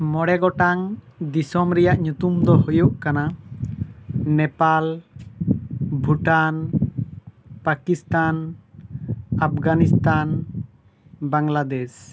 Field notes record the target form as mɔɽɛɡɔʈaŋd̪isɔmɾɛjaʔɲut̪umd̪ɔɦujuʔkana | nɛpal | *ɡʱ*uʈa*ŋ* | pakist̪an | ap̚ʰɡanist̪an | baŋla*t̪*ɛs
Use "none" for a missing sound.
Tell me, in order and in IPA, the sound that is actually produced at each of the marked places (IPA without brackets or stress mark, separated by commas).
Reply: bʱ, n, d̪